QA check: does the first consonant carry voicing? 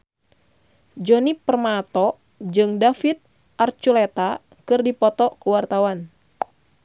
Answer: yes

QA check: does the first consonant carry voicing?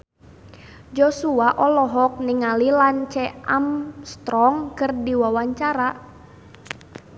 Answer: yes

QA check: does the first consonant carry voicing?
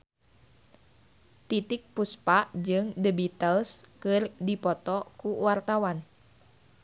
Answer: no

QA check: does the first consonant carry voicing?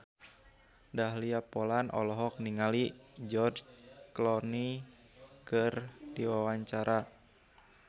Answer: yes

